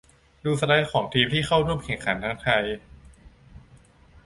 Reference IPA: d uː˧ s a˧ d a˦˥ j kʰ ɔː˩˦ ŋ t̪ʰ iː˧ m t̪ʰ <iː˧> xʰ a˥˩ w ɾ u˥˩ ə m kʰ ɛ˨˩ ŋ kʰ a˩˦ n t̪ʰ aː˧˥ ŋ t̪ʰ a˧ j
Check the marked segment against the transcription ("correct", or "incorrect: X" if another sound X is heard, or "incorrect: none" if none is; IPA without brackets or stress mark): incorrect: iː˥˩